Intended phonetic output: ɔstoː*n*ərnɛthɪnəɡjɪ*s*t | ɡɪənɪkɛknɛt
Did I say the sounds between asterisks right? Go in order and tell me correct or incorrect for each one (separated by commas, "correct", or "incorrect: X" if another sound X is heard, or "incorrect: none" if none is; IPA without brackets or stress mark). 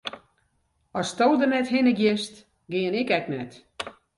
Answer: incorrect: d, correct